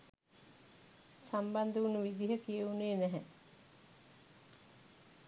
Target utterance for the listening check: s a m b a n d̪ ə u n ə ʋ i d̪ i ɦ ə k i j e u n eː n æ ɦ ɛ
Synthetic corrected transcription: s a m b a n d̪ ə u n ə ʋ i d̪ i ɦ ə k i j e u n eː n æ ɦ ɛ